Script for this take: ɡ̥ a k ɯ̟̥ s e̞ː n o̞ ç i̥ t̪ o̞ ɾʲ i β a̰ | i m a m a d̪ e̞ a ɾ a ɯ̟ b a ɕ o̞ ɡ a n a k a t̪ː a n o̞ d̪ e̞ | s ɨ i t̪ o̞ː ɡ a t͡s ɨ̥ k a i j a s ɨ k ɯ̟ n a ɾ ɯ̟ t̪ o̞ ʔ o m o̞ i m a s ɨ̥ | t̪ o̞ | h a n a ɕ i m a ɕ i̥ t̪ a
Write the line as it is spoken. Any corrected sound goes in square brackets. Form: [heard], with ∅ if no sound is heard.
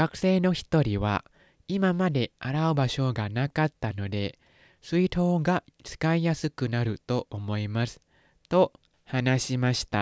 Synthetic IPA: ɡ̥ a k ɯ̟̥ s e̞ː n o̞ ç i̥ t̪ o̞ ɾʲ i β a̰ | i m a m a d̪ e̞ a ɾ a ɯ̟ b a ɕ o̞ ɡ a n a k a t̪ː a n o̞ d̪ e̞ | s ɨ i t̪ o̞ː ɡ a t͡s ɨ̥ k a i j a s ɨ k ɯ̟ n a ɾ ɯ̟ t̪ o̞ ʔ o m o̞ i m a s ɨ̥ | t̪ o̞ | h a n a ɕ i m a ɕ i̥ t̪ a